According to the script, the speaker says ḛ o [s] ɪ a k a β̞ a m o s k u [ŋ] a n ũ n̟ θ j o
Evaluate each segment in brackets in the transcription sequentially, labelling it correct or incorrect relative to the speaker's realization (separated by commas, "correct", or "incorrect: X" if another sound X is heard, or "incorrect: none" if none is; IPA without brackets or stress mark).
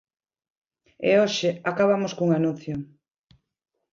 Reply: incorrect: ʃ, correct